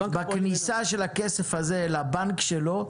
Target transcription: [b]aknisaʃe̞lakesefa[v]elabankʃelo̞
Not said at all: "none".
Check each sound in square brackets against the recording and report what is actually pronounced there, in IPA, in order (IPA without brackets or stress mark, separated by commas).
b, z